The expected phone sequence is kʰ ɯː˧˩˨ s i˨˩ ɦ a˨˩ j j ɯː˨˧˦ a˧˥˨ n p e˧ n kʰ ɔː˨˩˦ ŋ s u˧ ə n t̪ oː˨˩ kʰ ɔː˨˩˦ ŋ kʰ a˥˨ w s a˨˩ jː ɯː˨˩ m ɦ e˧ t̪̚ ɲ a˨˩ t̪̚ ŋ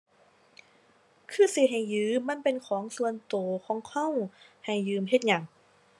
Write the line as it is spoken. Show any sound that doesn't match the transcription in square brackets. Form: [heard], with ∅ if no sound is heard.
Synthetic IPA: kʰ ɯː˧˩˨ s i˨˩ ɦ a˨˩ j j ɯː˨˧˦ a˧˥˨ n p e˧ n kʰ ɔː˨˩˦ ŋ s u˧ ə n t̪ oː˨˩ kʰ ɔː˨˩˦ ŋ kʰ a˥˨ w [h] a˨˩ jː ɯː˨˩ m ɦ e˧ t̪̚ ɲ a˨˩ [∅] ŋ